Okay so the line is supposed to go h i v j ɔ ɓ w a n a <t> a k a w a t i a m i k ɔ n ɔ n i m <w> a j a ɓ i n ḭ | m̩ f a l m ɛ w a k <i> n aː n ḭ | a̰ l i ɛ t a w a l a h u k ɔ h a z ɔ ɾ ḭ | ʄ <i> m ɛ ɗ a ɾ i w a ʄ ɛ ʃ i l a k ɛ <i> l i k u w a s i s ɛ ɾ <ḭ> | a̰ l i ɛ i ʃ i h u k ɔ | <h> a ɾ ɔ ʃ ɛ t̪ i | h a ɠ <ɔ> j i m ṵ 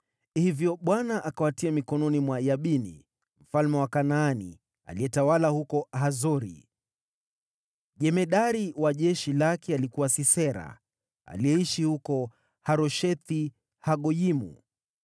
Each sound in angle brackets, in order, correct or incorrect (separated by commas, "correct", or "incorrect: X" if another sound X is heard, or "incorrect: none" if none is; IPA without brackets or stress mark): incorrect: ʔ, correct, incorrect: a, incorrect: ɛ, incorrect: a, incorrect: a̰, correct, correct